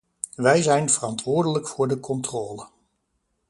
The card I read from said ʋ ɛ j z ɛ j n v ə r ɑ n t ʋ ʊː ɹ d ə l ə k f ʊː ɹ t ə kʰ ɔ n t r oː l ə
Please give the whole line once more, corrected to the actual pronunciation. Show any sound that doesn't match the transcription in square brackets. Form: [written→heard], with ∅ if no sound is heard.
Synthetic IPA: ʋ ɛ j z ɛ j n v ə r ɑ n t ʋ ʊː ɹ d ə l ə k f ʊː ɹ [t→d] ə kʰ ɔ n t r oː l ə